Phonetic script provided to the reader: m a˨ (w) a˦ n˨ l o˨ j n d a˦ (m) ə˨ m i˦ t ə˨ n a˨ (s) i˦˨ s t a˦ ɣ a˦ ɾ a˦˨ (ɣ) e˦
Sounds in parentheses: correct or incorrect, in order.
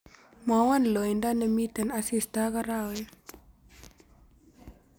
correct, incorrect: n, correct, incorrect: w

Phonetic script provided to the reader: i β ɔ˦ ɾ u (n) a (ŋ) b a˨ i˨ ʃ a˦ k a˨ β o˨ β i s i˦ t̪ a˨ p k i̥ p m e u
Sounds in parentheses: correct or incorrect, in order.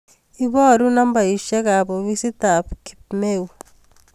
correct, incorrect: m

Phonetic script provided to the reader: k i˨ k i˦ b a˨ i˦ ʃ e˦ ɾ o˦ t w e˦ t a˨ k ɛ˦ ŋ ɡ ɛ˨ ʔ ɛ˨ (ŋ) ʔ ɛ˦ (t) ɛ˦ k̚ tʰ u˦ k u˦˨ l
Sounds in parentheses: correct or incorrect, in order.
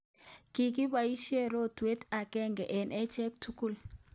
incorrect: n, incorrect: t͡ʃ

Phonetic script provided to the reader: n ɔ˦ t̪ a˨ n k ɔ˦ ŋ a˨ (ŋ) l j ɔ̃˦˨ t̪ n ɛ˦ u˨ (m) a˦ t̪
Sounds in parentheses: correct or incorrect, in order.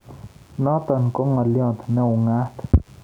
incorrect: none, incorrect: ŋ

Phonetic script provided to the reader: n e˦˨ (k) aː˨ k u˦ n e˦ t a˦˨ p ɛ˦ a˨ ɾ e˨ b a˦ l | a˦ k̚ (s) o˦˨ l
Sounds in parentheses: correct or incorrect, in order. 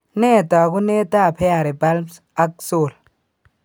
incorrect: t, correct

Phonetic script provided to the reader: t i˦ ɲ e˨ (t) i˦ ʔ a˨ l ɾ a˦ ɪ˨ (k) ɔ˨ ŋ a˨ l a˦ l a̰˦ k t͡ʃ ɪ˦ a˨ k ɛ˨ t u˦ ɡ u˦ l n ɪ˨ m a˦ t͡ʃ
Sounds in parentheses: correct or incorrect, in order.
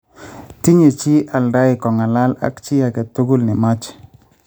incorrect: t͡ʃ, correct

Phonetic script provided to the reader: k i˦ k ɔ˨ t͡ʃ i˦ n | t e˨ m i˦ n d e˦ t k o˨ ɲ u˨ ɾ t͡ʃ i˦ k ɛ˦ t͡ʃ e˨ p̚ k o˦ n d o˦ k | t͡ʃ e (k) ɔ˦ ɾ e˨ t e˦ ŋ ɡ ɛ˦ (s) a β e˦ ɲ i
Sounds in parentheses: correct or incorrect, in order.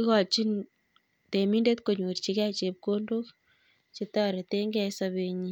incorrect: t, correct

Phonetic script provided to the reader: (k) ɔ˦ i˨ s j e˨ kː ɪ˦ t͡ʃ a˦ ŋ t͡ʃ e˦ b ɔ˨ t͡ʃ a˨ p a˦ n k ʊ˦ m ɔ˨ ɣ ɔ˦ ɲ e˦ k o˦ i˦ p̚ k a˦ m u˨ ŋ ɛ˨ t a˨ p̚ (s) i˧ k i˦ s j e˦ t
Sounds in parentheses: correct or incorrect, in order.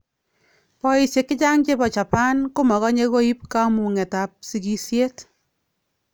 incorrect: p, correct

